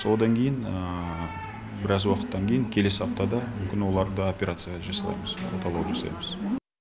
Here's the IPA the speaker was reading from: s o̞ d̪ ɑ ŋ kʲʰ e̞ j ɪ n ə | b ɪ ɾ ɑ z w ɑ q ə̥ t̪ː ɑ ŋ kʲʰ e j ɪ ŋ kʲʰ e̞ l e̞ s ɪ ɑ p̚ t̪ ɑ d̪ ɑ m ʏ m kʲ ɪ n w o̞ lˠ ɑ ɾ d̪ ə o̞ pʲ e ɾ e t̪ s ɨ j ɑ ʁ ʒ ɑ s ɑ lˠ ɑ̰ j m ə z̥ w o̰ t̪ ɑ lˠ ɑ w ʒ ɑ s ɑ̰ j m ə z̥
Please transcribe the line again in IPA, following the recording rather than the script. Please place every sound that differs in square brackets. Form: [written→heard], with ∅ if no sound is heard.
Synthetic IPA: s o̞ d̪ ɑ ŋ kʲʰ e̞ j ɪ n ə | b ɪ ɾ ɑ z w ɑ q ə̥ t̪ː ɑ ŋ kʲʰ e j ɪ ŋ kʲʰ e̞ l e̞ s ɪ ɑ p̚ t̪ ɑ d̪ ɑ m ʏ m kʲ ɪ n w o̞ lˠ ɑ ɾ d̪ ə o̞ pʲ e ɾ [e→a] t̪ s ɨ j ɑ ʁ ʒ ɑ s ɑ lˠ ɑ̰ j m ə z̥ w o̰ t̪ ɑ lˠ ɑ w ʒ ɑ s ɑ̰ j m ə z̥